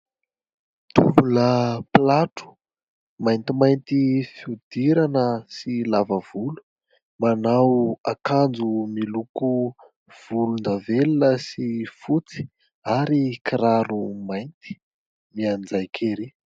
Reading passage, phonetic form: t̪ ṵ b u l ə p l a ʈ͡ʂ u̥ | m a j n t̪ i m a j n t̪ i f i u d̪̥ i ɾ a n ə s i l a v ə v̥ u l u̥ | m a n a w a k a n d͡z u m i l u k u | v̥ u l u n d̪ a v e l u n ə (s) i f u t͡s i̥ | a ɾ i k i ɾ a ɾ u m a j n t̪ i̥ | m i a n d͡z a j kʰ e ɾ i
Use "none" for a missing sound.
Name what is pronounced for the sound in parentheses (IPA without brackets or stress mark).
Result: s